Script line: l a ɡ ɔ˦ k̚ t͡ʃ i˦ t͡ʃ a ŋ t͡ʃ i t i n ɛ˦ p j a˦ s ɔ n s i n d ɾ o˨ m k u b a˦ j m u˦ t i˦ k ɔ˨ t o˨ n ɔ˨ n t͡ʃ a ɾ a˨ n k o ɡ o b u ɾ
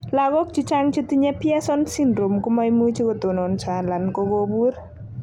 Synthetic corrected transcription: l a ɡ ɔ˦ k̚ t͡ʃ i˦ t͡ʃ a ŋ t͡ʃ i t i ɲ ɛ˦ p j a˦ s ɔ n s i n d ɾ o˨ m k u m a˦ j m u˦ t͡ʃ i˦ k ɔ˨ t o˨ n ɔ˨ n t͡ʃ a l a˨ n k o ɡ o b u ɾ